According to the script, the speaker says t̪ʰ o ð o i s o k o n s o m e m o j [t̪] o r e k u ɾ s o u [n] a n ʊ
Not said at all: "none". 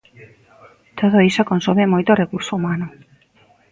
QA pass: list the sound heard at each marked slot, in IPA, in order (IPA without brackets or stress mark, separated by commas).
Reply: t̪, m